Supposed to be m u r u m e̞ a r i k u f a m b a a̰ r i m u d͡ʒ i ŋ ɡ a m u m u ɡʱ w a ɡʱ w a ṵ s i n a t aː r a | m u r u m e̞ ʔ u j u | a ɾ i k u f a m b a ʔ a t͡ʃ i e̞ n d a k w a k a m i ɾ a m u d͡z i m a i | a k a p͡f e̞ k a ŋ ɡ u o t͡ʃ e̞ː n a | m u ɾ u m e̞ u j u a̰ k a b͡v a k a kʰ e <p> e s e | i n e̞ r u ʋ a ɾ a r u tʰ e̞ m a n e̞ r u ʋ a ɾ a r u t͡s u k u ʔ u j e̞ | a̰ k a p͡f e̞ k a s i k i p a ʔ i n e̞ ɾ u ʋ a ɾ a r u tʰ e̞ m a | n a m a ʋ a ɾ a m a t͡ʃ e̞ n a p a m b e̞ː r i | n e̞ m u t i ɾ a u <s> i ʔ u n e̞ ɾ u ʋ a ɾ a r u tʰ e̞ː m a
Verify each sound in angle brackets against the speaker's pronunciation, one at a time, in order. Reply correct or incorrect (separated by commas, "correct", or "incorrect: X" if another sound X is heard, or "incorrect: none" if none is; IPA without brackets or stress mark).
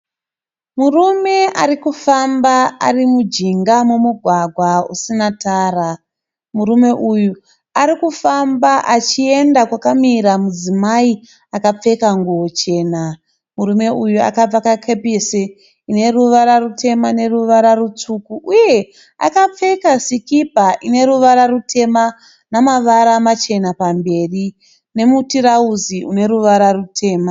correct, incorrect: z